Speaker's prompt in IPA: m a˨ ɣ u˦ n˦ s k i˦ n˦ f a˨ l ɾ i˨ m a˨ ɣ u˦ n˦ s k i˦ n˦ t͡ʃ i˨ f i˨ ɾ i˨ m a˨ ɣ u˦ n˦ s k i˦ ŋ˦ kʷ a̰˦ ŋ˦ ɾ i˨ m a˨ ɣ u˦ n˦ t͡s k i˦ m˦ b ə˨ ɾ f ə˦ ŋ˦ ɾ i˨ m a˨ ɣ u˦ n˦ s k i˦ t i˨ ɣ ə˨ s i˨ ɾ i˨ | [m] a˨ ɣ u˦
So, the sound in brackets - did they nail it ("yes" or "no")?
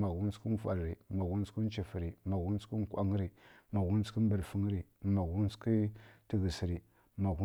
yes